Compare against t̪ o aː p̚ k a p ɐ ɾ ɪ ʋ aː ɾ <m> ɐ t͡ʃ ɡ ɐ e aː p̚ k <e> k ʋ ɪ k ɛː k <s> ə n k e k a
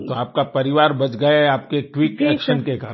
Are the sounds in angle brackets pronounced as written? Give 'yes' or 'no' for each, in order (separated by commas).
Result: no, yes, no